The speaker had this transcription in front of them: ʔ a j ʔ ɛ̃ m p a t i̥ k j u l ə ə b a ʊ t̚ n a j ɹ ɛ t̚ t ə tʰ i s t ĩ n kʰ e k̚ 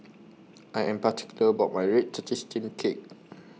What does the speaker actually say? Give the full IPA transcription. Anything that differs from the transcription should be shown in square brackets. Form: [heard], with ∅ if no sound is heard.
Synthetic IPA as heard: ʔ a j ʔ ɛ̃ m p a t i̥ k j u l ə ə b a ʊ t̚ [m] a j ɹ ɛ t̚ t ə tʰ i s t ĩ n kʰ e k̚